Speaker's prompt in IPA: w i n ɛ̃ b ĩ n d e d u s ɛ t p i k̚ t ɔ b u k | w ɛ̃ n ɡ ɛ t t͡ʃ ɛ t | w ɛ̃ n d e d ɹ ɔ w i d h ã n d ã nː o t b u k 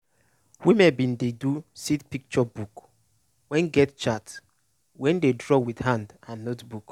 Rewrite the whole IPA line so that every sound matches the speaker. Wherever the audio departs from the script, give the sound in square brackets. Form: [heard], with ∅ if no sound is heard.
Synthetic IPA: w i [m] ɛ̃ b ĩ n d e d u s [i] t p i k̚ [t͡ʃ] ɔ b u k | w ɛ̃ n ɡ ɛ t t͡ʃ [a] t | w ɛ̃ n d e d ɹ ɔ w i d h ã n d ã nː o t b u k